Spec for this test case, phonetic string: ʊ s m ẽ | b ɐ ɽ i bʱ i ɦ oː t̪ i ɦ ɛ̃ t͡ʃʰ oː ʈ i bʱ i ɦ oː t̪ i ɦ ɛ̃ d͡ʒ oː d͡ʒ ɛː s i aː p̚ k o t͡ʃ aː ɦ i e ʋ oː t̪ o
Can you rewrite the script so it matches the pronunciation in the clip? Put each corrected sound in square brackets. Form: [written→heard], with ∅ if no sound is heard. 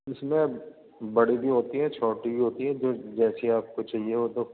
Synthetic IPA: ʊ s m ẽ | b ɐ ɽ i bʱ i ɦ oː t̪ i ɦ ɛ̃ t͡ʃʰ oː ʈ i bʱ i ɦ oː t̪ i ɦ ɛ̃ d͡ʒ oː d͡ʒ ɛː s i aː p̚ k o t͡ʃ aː ɦ i e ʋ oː t̪ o